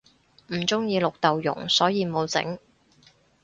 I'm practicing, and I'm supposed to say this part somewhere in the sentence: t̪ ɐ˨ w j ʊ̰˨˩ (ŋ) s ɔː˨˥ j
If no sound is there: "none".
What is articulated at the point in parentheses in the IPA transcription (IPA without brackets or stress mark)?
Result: ŋ